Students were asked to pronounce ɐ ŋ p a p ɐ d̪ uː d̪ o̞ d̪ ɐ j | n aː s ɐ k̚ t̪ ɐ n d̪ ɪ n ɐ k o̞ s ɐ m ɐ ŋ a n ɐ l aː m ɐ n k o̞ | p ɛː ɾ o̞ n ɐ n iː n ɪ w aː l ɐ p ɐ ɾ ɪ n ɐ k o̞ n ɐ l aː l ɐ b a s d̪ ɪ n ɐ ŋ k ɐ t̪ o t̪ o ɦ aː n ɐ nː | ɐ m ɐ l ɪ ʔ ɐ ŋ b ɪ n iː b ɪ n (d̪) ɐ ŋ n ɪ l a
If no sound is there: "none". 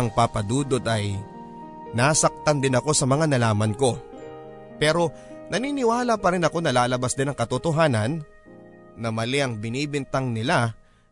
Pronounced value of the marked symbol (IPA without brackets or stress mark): t̪